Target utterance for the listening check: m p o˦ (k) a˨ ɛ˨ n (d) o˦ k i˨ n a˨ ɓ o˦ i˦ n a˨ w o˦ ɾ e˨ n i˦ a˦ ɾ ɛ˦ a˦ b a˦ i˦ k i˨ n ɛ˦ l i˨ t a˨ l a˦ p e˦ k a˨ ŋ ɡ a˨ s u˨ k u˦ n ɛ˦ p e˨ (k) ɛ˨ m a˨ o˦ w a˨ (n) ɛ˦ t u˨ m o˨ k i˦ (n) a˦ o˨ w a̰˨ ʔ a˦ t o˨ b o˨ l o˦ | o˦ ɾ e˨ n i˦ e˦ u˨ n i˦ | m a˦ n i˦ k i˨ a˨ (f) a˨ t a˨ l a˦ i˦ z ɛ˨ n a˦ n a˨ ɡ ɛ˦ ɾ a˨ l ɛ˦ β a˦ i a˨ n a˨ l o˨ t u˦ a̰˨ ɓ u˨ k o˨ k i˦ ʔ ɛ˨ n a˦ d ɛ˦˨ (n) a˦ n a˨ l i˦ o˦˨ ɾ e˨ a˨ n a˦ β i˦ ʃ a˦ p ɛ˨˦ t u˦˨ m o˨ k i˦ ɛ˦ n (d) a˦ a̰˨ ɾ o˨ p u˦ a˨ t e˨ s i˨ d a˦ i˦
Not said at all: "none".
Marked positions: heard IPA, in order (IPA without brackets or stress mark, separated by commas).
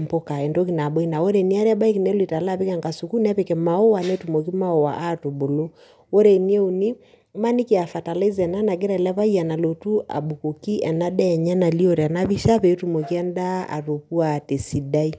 k, d, k, n, m, f, ɲ, d